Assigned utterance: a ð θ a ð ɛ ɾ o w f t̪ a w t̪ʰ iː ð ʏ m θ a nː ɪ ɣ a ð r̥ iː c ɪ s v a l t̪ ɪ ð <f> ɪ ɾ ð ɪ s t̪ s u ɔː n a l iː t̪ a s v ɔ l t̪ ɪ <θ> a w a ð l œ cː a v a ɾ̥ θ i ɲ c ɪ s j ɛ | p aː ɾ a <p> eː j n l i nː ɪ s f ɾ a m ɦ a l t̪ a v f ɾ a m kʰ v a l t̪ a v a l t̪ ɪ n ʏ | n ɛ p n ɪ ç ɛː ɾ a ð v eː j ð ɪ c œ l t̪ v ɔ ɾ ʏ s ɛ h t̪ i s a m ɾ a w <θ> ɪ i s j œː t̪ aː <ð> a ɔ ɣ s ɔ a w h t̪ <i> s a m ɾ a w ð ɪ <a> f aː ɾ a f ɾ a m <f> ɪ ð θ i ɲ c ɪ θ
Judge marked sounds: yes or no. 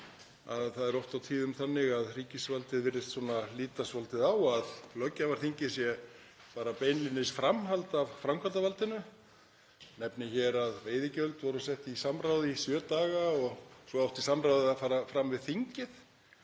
no, no, yes, no, no, yes, yes, no

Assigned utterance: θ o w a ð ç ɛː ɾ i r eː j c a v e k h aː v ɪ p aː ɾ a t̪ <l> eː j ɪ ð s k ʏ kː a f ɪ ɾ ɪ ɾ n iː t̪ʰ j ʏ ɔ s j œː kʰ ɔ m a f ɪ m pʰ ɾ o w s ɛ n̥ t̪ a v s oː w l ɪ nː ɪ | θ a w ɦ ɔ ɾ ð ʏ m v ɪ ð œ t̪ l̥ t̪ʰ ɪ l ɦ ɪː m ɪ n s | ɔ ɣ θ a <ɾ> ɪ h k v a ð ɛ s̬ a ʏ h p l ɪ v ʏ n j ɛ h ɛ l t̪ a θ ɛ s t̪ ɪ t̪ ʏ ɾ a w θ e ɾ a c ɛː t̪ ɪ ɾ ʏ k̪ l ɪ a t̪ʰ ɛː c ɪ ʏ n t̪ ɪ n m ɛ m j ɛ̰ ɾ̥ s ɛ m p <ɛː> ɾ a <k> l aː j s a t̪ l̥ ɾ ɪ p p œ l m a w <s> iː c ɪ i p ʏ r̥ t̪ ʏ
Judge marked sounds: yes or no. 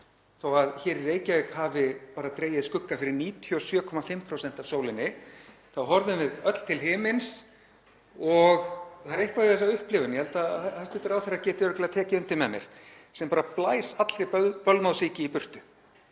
no, yes, no, no, yes

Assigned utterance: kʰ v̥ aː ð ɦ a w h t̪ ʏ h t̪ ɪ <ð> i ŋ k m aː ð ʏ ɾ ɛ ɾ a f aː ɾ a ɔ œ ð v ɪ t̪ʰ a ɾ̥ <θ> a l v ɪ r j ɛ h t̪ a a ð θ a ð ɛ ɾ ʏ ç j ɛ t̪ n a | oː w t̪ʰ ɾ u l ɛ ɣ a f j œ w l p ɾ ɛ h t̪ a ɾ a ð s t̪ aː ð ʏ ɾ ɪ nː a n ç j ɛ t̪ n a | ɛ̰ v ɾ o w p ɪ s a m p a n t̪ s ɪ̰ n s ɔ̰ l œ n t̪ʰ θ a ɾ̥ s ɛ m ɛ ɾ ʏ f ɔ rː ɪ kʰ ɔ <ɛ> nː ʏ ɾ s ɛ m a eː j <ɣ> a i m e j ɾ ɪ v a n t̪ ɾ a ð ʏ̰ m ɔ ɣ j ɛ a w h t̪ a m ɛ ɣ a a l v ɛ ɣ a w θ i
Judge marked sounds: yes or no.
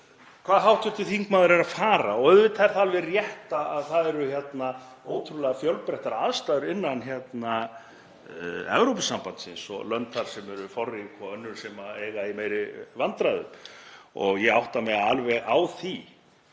no, yes, no, yes

